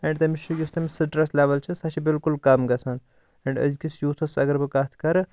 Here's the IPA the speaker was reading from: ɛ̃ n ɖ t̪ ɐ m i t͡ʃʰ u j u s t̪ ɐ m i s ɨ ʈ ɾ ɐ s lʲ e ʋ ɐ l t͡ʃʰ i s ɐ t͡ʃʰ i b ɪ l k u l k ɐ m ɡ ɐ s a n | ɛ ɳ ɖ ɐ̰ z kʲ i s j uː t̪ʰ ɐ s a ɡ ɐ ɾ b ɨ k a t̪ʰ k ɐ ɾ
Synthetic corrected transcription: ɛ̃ ɳ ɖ t̪ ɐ m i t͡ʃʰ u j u s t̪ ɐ m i s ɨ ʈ ɾ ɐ s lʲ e ʋ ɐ l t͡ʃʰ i s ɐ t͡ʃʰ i b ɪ l k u l k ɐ m ɡ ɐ s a n | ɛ ɳ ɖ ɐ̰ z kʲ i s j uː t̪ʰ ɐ s ɐ ɡ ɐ ɾ b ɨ k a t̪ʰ k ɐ ɾ